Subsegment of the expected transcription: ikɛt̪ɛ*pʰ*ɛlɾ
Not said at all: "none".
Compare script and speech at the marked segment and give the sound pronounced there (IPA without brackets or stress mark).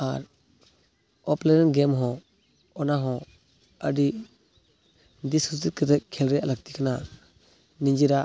kʰ